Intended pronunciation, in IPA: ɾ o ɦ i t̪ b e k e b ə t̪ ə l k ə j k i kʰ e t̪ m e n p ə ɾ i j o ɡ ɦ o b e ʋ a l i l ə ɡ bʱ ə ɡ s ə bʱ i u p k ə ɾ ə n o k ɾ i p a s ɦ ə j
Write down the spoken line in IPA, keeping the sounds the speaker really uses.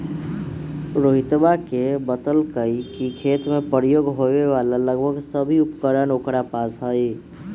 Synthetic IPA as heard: ɾ o ɦ i t̪ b a k e b ə t̪ ə l k ə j k i kʰ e t̪ m e p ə ɾ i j o ɡ ɦ o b e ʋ a l a l ə ɡ bʱ ə ɡ s ə bʱ i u p k ə ɾ ə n o k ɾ a p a s ɦ ə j